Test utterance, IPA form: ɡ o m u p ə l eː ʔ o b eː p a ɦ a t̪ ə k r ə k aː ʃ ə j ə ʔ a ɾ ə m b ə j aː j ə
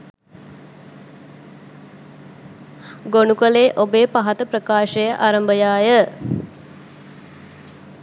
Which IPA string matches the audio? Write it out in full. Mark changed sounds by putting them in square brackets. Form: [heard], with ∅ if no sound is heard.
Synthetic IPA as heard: ɡ o [n] u [k] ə l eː ʔ o b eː p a ɦ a t̪ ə [p] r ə k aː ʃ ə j ə ʔ a ɾ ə m b ə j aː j ə